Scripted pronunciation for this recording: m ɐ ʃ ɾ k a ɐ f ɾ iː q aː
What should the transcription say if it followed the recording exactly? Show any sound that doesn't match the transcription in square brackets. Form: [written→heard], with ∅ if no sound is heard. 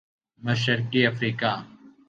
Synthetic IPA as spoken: m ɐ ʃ ɾ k [a→i] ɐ f ɾ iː [q→k] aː